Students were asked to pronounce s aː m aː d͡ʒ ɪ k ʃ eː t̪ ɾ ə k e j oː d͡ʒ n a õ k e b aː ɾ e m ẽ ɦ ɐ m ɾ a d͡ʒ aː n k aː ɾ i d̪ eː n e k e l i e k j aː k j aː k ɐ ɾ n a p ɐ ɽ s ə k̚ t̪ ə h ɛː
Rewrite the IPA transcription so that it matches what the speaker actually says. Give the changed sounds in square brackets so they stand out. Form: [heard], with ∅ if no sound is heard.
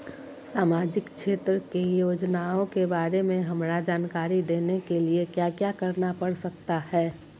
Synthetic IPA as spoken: s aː m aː d͡ʒ ɪ k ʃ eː t̪ ɾ ə k e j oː d͡ʒ n a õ k e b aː ɾ e m ẽ ɦ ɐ m ɾ a d͡ʒ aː n k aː ɾ i d̪ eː n e k e l i e k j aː k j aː k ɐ ɾ n a p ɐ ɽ s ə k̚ t̪ [a] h ɛː